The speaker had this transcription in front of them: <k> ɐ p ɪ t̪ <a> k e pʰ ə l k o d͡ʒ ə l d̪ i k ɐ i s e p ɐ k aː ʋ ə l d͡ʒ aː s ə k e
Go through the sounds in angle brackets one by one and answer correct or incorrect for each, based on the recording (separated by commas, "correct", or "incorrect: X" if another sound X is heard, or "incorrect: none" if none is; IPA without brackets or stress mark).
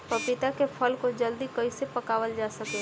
incorrect: p, correct